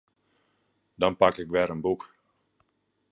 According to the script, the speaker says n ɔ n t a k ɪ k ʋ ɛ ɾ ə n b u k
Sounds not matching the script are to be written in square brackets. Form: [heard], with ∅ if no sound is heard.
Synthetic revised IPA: [d] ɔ n [p] a k ɪ k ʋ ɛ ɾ ə n b u k